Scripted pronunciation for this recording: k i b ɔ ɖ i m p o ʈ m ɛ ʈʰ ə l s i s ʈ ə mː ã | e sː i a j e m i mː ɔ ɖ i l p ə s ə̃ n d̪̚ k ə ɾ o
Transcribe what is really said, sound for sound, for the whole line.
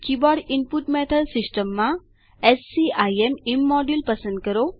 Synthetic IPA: k i b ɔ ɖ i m p u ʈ m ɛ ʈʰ ə l s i s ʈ ə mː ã | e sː i a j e m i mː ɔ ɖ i l p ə s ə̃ n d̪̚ k ə ɾ o